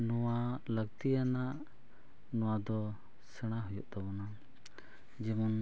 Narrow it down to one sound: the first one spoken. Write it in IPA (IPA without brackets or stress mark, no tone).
n